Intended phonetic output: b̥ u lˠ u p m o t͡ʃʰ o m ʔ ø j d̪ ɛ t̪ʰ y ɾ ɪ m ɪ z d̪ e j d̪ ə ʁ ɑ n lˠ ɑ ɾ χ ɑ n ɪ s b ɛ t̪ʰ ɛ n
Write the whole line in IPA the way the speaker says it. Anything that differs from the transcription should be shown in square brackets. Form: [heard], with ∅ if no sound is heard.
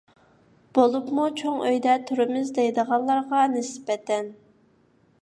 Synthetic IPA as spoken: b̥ [o] lˠ u p m [u] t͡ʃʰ o [ŋ] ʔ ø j d̪ ɛ t̪ʰ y ɾ ɪ m ɪ z d̪ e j d̪ ə ʁ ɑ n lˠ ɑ ɾ [ʁ] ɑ n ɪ s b ɛ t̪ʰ ɛ n